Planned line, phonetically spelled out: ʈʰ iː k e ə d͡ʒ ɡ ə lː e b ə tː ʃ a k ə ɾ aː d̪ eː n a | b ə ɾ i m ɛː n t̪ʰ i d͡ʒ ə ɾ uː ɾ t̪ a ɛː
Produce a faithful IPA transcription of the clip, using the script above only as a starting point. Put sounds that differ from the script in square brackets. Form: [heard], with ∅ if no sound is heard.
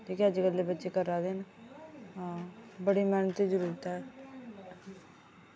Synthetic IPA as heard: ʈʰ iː k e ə d͡ʒ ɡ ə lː e b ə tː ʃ [e] k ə ɾ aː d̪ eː n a | b ə [ɽ] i m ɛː n [t̪] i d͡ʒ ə ɾ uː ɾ t̪ a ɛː